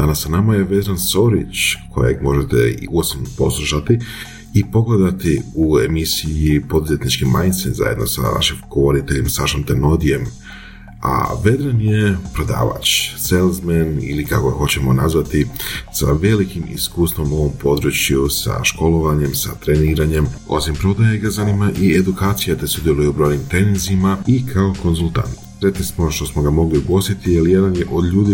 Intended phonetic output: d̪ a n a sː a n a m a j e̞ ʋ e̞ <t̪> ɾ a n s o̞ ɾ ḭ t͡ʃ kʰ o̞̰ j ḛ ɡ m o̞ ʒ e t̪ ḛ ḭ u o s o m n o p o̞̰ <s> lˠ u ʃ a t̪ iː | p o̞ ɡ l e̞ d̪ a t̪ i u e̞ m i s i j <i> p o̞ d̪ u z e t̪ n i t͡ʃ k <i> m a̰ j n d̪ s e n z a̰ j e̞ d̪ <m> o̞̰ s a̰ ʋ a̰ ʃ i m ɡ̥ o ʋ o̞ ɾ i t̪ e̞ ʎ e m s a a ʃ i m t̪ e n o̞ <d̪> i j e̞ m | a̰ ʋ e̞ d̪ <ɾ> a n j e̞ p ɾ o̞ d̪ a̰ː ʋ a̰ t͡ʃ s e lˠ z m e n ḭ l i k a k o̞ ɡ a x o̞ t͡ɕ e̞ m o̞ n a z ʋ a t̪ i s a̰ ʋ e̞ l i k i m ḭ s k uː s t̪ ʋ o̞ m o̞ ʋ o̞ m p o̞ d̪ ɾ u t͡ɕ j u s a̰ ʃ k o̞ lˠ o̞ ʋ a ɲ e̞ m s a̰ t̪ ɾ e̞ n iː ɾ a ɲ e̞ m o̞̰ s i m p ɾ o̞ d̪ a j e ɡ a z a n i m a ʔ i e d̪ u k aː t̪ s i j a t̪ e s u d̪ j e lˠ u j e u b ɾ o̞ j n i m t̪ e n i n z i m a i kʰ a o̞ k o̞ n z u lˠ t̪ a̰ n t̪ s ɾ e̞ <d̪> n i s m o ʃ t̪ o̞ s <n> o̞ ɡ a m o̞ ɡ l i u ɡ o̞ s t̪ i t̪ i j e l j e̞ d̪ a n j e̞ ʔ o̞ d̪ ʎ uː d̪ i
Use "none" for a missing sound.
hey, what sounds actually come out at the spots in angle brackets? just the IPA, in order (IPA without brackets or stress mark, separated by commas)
d̪, s, i, i, n, d̪, ɾ, t̪, m